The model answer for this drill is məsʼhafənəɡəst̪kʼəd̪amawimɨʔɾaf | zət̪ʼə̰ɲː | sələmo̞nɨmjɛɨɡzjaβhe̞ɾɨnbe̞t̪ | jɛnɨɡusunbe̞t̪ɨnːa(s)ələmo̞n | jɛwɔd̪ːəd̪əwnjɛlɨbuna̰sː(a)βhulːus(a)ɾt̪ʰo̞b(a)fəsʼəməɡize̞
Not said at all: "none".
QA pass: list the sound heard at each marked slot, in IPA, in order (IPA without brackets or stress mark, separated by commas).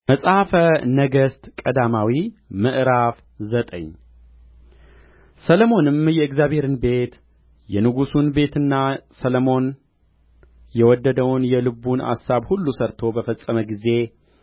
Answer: s, a, ə, ə